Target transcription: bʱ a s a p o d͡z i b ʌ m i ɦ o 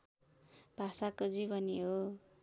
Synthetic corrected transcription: bʱ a s a k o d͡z i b ʌ n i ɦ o

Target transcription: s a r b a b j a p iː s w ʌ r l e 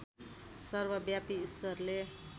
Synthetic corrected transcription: s ʌ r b ʌ b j a p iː s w ʌ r l e

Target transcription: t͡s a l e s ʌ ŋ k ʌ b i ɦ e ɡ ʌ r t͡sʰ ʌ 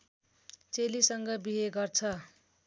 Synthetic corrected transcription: t͡s e l i s ʌ ŋ ɡ ʌ b i ɦ e ɡ ʌ r t͡sʰ ʌ

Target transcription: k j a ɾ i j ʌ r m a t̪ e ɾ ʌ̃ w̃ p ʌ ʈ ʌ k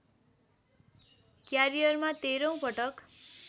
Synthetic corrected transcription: k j a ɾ i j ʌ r m a t̪ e ɾ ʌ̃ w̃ p ʌ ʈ ʌ k

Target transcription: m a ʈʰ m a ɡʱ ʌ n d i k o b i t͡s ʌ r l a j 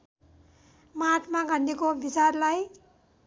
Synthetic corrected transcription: m a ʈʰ m a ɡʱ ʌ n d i k o b i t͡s a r l a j

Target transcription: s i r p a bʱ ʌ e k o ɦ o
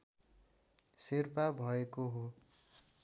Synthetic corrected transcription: s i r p a bʱ ʌ e k o ɦ o

